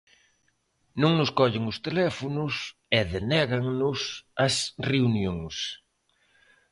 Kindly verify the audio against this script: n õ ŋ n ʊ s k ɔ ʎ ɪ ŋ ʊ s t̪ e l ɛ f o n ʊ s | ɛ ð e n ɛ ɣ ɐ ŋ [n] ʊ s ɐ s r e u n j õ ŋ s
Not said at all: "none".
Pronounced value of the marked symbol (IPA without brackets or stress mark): n